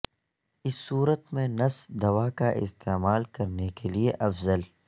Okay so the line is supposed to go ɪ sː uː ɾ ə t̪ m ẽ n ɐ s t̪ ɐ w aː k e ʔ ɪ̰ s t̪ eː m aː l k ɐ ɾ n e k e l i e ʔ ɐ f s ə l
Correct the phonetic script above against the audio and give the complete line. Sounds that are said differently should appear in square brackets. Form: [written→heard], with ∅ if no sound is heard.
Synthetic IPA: ɪ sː uː ɾ ə t̪ m ẽ n ɐ s [t̪→d̪] ɐ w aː k [e→a] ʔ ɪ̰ s t̪ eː m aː l k ɐ ɾ n e k e l i e ʔ ɐ f [s→z] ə l